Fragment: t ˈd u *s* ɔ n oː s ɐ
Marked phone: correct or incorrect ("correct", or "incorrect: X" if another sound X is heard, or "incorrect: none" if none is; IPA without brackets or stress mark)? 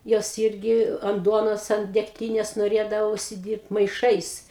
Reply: incorrect: none